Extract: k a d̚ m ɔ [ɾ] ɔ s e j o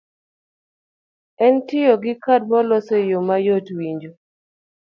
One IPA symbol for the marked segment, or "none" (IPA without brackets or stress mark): l